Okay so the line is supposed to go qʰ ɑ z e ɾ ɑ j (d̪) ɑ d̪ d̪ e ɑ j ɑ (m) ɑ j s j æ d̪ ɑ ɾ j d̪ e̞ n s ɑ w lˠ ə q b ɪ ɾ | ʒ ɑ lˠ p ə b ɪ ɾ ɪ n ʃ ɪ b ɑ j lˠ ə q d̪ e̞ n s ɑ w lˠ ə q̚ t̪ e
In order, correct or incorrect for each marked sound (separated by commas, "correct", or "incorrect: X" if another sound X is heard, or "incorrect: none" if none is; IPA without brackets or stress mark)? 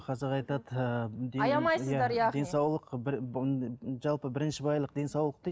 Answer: incorrect: t̪, correct